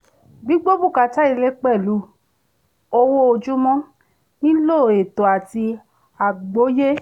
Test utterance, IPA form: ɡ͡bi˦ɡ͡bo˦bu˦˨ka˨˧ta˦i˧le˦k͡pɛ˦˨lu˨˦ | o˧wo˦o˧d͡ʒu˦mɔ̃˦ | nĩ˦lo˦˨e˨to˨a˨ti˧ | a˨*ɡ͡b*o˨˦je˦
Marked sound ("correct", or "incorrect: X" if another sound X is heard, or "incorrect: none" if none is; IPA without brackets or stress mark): correct